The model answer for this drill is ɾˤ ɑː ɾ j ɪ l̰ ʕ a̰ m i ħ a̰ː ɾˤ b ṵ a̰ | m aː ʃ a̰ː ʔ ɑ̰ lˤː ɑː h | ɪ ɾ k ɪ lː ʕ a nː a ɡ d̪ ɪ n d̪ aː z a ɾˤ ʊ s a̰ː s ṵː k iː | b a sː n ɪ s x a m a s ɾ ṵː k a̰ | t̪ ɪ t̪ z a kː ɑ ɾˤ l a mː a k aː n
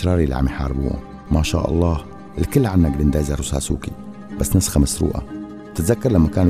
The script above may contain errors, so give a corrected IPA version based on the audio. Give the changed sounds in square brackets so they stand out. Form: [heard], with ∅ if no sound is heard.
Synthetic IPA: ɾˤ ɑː ɾ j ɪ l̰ ʕ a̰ m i ħ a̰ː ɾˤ b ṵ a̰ | m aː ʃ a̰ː ʔ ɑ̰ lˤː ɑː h | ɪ [l] k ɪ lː ʕ a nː a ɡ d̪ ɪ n d̪ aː z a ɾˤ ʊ s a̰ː s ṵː k [i] | b a sː n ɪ s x a m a s ɾ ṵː [ʔ] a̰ | t̪ ɪ t̪ z a kː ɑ ɾˤ l a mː a k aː n